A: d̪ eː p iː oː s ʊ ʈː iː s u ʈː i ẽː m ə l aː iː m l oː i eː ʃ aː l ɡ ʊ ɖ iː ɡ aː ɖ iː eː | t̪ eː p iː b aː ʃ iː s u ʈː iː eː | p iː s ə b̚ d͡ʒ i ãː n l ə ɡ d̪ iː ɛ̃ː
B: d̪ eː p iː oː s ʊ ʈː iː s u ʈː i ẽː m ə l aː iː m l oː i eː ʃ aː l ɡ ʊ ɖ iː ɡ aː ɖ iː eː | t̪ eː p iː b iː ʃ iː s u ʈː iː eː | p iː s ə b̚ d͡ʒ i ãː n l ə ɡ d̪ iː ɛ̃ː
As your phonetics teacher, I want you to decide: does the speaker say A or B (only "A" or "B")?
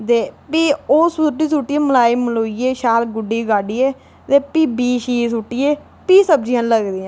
B